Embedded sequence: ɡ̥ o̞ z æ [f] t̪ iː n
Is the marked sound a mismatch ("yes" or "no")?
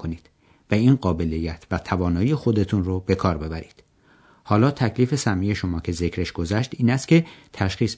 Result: yes